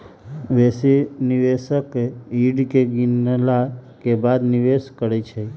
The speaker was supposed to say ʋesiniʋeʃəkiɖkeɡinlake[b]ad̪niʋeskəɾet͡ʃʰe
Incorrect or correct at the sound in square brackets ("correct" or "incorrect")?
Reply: correct